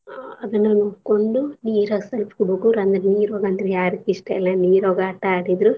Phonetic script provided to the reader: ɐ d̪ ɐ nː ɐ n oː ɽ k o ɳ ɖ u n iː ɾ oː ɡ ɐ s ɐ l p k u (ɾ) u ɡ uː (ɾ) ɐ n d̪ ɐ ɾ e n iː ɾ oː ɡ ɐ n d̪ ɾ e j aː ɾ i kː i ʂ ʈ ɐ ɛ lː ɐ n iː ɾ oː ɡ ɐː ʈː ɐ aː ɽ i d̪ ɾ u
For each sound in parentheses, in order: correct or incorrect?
incorrect: ɽ, correct

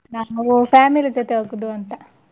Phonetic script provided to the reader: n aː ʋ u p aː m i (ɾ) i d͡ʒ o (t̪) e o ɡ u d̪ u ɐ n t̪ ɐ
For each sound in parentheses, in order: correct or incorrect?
incorrect: l, correct

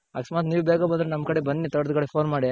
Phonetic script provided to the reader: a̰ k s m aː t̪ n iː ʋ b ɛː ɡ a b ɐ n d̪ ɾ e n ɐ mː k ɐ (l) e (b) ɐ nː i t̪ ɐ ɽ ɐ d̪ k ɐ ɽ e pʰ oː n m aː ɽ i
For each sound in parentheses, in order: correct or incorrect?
incorrect: ɽ, correct

